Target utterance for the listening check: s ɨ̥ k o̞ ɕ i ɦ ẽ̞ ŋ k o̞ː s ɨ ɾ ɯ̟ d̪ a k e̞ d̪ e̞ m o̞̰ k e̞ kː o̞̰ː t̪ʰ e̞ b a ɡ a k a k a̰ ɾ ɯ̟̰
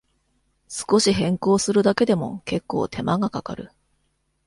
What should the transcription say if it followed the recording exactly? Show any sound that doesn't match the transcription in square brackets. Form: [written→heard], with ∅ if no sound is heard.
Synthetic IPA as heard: s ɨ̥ k o̞ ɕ i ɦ ẽ̞ ŋ k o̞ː s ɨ ɾ ɯ̟ d̪ a k e̞ d̪ e̞ m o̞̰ k e̞ kː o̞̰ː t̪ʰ e̞ [b→m] a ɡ a k a k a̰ ɾ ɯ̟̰